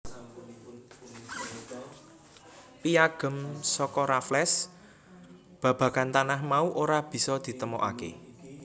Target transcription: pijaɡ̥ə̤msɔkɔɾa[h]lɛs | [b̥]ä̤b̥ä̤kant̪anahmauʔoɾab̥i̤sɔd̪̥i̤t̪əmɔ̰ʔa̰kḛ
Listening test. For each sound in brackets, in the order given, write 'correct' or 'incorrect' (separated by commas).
incorrect, correct